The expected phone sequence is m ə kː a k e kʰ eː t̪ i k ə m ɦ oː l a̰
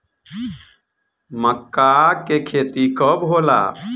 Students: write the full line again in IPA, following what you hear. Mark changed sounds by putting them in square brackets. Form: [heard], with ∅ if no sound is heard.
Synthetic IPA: m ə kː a k e kʰ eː t̪ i k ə [b] ɦ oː l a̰